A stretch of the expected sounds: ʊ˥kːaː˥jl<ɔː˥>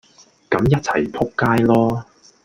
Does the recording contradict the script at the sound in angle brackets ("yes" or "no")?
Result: no